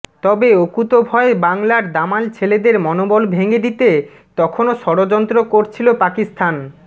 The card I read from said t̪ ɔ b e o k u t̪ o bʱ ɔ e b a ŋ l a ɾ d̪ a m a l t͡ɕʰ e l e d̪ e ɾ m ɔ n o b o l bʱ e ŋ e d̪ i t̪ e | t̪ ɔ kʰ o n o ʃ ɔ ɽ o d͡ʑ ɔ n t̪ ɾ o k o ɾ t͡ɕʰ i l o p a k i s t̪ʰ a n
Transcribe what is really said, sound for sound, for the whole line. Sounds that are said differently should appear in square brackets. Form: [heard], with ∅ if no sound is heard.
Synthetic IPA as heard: t̪ ɔ b e o k u t̪ o bʱ ɔ e b a ŋ l a ɾ d̪ a m a l t͡ɕʰ e l e d̪ e ɾ m ɔ n o b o l bʱ e ŋ e d̪ i t̪ e | t̪ ɔ kʰ o n o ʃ ɔ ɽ o d͡ʑ ɔ n t̪ ɾ o k o ɾ t͡ɕʰ i l o p a k i s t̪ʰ a n

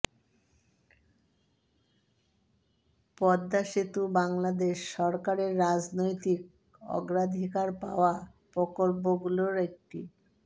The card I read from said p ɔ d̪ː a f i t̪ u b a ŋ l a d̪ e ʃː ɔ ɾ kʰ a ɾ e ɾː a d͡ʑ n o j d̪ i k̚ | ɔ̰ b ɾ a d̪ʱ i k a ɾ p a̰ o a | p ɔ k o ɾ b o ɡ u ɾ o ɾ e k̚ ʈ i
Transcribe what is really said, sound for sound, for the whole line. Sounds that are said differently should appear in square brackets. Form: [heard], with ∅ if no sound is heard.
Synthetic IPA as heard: p ɔ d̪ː a [ʃ] i t̪ u b a ŋ l a d̪ e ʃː ɔ ɾ [k] a ɾ e ɾː a d͡ʑ n o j [t̪] i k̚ | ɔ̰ [ɡ] ɾ a d̪ʱ i k a ɾ p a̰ o a | p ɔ k o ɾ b o ɡ u [l] o ɾ e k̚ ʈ i

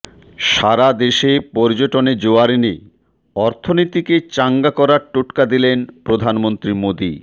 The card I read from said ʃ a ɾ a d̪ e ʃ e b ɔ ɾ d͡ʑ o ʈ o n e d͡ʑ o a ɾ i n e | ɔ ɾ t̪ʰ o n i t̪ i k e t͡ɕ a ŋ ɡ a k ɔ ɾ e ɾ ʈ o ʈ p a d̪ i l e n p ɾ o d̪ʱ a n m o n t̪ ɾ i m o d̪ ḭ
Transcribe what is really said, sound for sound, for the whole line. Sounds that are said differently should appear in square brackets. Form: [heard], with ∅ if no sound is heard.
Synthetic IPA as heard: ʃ a ɾ a d̪ e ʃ e [p] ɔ ɾ d͡ʑ o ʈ o n e d͡ʑ o a ɾ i n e | ɔ ɾ t̪ʰ o n i t̪ i k e t͡ɕ a ŋ ɡ a k ɔ ɾ [a] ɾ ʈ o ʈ [k] a d̪ i l e n p ɾ o d̪ʱ a n m o n t̪ ɾ i m o d̪ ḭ

